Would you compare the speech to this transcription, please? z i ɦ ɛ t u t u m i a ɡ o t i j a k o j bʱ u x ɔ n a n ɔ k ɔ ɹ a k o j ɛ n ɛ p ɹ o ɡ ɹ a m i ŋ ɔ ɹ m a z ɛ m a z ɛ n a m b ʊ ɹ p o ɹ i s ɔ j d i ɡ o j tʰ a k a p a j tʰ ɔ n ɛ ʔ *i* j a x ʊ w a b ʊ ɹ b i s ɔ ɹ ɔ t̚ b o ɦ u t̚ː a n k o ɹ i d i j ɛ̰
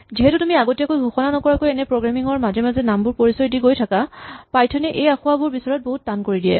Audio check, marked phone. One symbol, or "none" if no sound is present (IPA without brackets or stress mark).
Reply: e